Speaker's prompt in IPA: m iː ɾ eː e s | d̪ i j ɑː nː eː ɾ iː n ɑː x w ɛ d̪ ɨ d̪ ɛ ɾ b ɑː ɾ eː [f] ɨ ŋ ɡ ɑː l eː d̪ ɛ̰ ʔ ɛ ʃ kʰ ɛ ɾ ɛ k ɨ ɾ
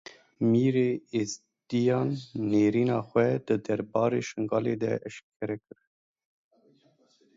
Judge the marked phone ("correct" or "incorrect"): incorrect